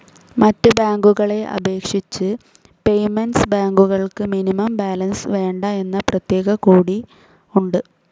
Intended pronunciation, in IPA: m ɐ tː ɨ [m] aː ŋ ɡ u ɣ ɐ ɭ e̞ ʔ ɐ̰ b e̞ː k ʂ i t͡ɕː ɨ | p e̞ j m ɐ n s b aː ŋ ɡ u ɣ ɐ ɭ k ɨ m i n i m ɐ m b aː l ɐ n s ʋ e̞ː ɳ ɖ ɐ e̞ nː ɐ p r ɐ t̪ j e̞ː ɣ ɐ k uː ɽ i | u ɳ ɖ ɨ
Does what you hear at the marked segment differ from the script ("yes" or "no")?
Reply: yes